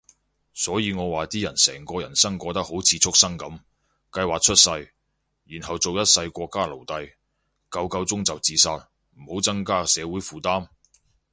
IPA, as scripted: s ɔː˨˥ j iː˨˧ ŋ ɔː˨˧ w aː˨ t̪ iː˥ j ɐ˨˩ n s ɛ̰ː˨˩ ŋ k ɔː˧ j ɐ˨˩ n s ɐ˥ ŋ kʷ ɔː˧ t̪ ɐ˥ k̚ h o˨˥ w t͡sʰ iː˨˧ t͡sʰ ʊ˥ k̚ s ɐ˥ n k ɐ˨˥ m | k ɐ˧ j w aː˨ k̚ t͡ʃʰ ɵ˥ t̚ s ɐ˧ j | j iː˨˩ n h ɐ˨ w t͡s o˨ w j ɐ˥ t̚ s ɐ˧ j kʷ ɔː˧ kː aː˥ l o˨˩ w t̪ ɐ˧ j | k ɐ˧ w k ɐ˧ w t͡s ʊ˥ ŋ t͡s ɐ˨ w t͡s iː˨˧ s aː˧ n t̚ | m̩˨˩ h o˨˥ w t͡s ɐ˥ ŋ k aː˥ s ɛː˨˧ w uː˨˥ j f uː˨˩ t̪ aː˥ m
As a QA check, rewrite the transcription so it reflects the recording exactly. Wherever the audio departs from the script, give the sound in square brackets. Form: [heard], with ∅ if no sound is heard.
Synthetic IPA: s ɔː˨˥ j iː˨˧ ŋ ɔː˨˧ w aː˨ t̪ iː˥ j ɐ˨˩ n s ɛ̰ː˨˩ ŋ k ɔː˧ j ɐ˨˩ n s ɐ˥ ŋ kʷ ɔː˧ t̪ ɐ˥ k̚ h o˨˥ w t͡sʰ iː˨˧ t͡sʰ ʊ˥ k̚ s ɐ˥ [ŋ] k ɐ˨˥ m | k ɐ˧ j w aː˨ k̚ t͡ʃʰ ɵ˥ t̚ s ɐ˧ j | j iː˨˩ n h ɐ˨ w t͡s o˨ w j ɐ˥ t̚ s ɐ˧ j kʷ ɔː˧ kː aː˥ l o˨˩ w t̪ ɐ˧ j | k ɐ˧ w k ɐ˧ w t͡s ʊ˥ ŋ t͡s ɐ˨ w t͡s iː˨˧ s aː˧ [∅] t̚ | m̩˨˩ h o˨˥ w t͡s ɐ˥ ŋ k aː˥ s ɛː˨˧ w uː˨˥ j f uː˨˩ t̪ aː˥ m